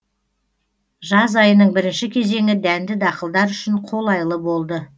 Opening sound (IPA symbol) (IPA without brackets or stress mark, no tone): ʒ